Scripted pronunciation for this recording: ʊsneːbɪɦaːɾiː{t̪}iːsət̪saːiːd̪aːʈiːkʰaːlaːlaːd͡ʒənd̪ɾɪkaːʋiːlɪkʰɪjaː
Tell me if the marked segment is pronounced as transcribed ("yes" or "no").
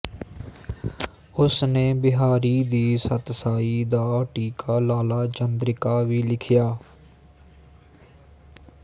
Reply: no